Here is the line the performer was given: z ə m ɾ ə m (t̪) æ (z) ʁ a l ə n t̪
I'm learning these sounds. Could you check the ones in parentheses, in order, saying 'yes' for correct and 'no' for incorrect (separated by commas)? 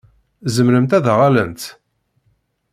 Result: yes, no